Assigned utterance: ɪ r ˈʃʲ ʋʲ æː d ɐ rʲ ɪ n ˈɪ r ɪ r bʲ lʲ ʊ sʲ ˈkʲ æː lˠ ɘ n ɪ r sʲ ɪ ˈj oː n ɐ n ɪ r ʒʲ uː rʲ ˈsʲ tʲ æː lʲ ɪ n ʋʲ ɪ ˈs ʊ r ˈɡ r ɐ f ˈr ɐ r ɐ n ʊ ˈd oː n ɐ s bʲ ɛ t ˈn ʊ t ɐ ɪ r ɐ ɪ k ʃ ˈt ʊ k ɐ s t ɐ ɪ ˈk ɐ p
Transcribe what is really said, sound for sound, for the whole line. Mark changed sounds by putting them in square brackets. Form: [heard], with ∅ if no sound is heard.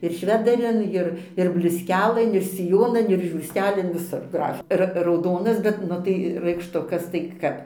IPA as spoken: ɪ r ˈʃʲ ʋʲ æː d ɐ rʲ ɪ n ˈɪ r ɪ r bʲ lʲ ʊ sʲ ˈkʲ æː lˠ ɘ n ɪ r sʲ ɪ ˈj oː n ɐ n ɪ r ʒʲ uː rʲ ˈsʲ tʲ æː lʲ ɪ n ʋʲ ɪ ˈs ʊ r ˈɡ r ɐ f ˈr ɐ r ɐ [∅] ʊ ˈd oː n ɐ s bʲ ɛ t ˈn ʊ t ɐ ɪ r ɐ ɪ k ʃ ˈt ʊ k ɐ s t ɐ ɪ ˈk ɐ p